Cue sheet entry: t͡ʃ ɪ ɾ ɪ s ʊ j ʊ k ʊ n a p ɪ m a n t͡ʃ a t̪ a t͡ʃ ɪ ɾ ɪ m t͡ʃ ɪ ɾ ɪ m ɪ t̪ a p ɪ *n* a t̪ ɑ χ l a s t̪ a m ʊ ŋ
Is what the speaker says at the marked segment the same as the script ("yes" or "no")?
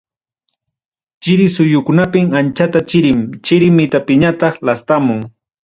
no